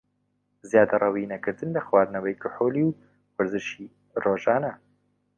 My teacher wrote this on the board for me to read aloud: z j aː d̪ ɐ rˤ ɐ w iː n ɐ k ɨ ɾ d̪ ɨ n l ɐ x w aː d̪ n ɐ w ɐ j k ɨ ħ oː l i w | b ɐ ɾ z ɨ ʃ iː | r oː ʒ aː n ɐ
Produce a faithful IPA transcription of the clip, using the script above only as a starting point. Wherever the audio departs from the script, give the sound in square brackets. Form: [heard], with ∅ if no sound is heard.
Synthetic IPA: z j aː d̪ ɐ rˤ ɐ w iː n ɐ k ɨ ɾ d̪ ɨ n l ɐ x w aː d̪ n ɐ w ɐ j k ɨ ħ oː l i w | [w] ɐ ɾ z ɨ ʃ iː | r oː ʒ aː n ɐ